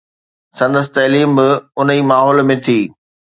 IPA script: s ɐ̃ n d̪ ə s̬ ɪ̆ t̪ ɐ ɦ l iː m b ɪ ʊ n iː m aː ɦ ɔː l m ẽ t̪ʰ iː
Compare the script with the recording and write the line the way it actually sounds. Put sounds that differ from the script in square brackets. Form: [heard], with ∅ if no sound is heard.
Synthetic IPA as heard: s ɐ̃ n d̪ ə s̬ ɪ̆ t̪ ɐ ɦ l iː m b ɪ ʊ n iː m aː ɦ ɔː l m ẽ t̪ʰ iː

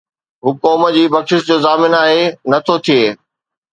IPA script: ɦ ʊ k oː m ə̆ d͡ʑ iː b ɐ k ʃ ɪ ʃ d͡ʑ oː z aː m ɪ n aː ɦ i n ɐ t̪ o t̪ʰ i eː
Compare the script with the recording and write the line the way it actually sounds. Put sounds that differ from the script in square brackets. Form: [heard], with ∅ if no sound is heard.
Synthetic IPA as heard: ɦ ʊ k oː m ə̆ d͡ʑ iː b ɐ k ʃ ɪ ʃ d͡ʑ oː z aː m ɪ n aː ɦ [e] n ɐ [t̪ʰ] o t̪ʰ i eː

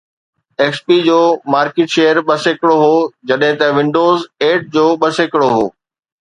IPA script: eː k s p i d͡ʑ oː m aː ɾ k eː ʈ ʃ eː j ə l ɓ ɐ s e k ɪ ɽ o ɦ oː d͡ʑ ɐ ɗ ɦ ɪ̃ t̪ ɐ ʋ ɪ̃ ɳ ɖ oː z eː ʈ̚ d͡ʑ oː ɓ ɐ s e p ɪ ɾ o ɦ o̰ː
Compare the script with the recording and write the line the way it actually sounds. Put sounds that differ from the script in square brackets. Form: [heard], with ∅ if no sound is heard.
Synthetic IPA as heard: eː k s p i d͡ʑ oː m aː ɾ k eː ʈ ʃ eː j ə [ɾ] ɓ ɐ s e k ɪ ɽ o ɦ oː d͡ʑ ɐ ɗ ɦ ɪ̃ t̪ ɐ ʋ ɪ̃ ɳ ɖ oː z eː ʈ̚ d͡ʑ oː ɓ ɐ s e [k] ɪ [ɽ] o ɦ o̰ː

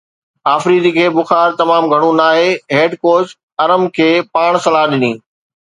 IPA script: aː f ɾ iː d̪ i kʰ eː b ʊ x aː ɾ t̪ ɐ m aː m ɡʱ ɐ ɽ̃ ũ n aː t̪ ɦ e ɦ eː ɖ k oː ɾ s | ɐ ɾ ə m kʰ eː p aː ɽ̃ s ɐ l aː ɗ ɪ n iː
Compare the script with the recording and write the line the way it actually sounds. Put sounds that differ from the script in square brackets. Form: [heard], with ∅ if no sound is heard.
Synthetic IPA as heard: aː f ɾ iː d̪ i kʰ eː b ʊ x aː ɾ t̪ ɐ m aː m ɡʱ ɐ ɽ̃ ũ n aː [∅] ɦ e ɦ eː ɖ k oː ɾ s | ɐ ɾ ə m kʰ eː p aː ɽ̃ s ɐ l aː ɗ ɪ n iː

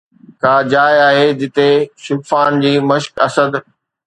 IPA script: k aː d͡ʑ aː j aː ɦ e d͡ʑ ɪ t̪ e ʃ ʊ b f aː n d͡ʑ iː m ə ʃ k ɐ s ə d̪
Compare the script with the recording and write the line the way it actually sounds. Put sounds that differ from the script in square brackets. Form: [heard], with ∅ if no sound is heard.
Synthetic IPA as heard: k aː d͡ʑ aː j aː ɦ e d͡ʑ ɪ t̪ e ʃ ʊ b f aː n d͡ʑ iː m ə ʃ k ɐ s ə d̪

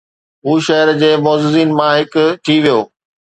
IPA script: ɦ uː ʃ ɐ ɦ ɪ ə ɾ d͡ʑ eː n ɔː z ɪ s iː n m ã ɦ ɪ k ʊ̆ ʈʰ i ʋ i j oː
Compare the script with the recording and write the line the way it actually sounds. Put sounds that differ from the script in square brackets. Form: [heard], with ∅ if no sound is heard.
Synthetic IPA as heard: ɦ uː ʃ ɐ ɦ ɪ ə ɾ d͡ʑ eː [m] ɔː z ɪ [z] iː n m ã ɦ ɪ k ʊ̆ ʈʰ i ʋ i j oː

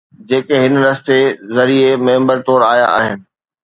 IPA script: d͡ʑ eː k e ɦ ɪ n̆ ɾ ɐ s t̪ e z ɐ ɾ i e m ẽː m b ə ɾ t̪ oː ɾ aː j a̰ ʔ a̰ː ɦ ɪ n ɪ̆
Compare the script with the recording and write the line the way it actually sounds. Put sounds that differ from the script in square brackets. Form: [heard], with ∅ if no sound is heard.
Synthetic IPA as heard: d͡ʑ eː k e ɦ ɪ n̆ ɾ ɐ s t̪ e z ɐ ɾ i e m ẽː m b ə ɾ t̪ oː ɾ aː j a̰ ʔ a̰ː ɦ ɪ n ɪ̆

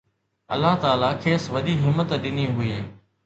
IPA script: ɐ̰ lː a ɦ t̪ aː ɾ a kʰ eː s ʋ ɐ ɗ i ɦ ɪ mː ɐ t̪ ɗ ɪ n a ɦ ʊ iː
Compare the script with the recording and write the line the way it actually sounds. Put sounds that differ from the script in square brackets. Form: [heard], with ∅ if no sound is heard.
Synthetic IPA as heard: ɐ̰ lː a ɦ t̪ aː [l] a kʰ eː s ʋ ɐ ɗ i ɦ ɪ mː [ə] t̪ ɗ ɪ n [i] ɦ ʊ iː

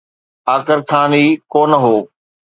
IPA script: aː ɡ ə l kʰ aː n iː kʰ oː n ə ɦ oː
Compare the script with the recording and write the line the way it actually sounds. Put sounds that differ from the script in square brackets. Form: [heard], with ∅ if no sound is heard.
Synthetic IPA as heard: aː [k] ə [ɾ] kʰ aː n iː [k] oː n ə ɦ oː

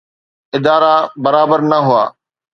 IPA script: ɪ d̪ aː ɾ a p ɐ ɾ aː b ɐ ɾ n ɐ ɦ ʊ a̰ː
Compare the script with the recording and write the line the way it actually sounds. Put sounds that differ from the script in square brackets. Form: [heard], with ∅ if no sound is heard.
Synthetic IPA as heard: ɪ d̪ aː ɾ a [b] ɐ ɾ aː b [ə] ɾ n ɐ ɦ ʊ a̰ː

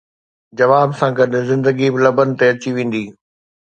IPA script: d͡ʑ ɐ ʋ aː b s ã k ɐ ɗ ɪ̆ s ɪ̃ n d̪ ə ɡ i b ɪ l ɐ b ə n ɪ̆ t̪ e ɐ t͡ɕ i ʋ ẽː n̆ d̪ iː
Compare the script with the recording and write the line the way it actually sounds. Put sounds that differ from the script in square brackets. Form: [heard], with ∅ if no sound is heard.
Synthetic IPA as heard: d͡ʑ ɐ ʋ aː b s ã [ɡ] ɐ ɗ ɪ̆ [z] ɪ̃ n d̪ ə ɡ i b ɪ l ɐ b ə n ɪ̆ t̪ e ɐ t͡ɕ i ʋ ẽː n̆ d̪ iː

